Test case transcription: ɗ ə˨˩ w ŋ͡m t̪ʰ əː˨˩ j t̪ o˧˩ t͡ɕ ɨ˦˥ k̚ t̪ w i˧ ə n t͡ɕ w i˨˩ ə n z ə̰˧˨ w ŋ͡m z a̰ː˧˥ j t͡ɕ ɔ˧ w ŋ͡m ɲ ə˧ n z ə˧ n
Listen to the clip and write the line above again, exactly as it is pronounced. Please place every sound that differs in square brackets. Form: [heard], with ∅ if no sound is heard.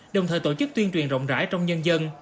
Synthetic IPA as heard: ɗ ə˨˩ w ŋ͡m t̪ʰ əː˨˩ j t̪ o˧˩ t͡ɕ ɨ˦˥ k̚ t̪ w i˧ ə n t͡ɕ w i˨˩ ə n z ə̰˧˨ w ŋ͡m z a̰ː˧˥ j t͡ɕ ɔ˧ w ŋ͡m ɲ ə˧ n z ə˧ n